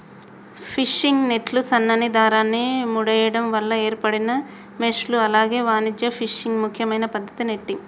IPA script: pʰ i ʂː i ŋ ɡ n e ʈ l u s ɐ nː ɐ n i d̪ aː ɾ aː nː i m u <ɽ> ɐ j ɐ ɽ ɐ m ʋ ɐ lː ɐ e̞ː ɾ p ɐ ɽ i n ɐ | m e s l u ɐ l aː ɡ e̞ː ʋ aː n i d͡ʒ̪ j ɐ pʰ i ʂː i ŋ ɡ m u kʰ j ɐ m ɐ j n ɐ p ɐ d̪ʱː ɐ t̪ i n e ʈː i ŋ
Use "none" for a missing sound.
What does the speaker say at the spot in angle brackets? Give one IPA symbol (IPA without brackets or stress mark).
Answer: ɽ